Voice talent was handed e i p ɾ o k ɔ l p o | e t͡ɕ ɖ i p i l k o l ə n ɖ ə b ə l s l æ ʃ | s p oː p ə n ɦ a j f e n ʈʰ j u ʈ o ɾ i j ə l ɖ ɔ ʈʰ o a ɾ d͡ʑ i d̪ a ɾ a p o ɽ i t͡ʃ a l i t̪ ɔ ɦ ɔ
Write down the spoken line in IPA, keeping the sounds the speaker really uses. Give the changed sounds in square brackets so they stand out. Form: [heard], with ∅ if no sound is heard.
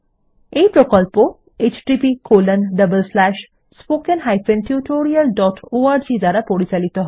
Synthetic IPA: e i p ɾ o k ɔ l p o | e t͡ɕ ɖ i p i [∅] k o l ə n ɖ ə b ə l s l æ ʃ | s p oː [k] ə n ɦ a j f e n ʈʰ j u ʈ o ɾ i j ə l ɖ ɔ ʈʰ o a ɾ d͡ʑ i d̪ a ɾ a p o ɽ i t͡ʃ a l i t̪ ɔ ɦ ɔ